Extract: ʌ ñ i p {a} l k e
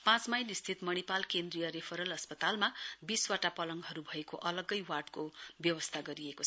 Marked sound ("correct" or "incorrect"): correct